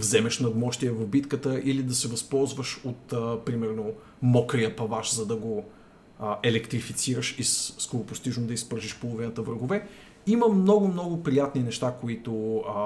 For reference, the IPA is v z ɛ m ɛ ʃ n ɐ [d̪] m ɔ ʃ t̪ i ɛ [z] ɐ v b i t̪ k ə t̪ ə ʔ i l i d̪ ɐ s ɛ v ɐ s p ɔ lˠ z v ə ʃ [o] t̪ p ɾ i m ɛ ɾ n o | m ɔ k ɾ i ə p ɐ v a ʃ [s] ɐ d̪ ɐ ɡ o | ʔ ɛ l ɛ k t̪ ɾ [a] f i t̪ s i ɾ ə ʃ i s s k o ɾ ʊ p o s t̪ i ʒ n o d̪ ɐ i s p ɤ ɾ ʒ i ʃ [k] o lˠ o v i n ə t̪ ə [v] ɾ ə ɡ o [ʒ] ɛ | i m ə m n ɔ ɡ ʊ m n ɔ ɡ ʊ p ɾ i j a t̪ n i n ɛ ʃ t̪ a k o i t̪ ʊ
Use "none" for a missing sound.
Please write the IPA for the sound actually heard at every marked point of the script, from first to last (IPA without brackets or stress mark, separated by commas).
d̪, v, o, z, i, p, v, v